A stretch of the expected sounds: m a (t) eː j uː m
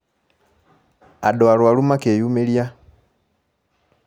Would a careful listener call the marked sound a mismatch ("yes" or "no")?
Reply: yes